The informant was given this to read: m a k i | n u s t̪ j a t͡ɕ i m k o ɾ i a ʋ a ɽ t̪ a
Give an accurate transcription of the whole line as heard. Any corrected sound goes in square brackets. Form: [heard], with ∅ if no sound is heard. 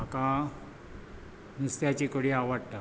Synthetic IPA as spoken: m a k [a] | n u s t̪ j a t͡ɕ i [∅] k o [ɽ] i a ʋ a ɽ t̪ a